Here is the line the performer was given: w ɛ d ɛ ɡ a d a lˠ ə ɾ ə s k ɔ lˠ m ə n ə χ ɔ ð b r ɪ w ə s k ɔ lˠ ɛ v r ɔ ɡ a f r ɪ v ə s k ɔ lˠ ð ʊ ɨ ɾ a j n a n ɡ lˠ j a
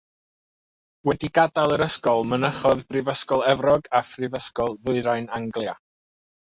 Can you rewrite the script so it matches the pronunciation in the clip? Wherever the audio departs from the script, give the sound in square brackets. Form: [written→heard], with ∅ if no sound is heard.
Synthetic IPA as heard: w ɛ d [ɛ→i] ɡ a d a lˠ ə ɾ ə s k ɔ lˠ m ə n ə χ ɔ ð b r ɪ [w→v] ə s k ɔ lˠ ɛ v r ɔ ɡ a f r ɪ v ə s k ɔ lˠ ð ʊ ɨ ɾ a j n a [n→ŋ] ɡ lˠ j a